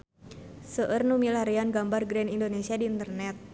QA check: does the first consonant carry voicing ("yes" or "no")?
no